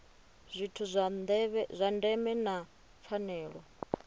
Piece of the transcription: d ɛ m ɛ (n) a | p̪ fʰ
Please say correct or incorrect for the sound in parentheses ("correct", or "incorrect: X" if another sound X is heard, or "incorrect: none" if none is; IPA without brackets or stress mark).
correct